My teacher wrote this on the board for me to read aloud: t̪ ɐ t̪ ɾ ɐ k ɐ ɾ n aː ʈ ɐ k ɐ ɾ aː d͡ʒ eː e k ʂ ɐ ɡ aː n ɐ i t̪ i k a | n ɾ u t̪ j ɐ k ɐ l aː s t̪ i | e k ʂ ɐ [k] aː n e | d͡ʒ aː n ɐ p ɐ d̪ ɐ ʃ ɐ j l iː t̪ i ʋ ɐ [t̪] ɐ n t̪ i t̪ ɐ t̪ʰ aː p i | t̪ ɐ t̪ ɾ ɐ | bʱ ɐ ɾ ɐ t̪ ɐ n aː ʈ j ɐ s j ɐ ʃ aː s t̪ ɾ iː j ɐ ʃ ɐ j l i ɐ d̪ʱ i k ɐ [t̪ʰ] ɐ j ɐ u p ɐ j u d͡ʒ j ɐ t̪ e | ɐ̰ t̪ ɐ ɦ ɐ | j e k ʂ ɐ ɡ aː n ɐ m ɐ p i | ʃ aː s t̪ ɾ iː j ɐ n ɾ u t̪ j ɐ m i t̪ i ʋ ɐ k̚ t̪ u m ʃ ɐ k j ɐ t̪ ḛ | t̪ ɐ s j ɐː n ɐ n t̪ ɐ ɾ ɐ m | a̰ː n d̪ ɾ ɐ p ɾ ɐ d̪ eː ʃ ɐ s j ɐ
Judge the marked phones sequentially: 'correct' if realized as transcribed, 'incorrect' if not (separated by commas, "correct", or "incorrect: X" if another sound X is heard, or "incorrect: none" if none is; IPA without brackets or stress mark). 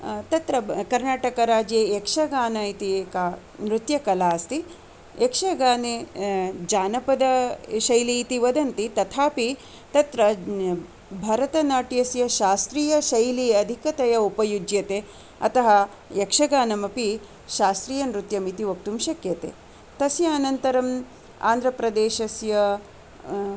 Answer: incorrect: ɡ, incorrect: d̪, incorrect: t̪